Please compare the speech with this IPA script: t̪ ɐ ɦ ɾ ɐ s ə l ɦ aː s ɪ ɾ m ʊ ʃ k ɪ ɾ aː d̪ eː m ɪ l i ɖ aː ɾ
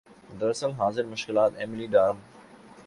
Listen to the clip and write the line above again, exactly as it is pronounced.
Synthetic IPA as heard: d̪ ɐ ɾ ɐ s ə l ɦ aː z ɪ ɾ m ʊ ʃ k ɪ l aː t̪ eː m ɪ l i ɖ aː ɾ